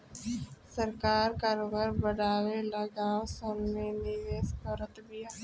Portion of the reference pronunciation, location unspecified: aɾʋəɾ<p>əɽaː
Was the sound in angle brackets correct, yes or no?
no